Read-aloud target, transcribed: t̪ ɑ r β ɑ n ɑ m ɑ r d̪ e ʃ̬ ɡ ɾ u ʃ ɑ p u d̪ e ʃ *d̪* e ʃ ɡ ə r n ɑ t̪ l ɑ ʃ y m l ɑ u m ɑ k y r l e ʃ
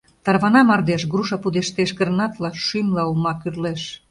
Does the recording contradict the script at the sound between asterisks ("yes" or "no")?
yes